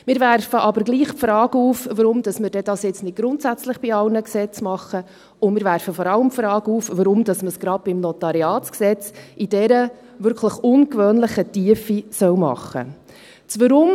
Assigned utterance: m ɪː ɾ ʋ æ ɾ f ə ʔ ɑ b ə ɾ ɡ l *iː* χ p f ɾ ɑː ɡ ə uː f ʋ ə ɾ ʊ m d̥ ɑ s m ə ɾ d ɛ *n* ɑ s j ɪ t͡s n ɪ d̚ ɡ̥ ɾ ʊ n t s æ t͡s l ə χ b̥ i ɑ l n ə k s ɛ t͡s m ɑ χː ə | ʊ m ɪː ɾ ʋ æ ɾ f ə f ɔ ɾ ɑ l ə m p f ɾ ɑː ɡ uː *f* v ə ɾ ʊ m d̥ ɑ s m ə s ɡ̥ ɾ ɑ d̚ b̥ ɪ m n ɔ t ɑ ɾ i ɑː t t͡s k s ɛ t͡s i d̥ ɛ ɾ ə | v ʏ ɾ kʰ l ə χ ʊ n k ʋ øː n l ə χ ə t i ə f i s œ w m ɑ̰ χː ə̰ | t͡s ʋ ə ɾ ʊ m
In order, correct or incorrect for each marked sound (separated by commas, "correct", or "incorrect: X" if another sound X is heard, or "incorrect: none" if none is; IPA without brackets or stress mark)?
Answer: correct, incorrect: d, correct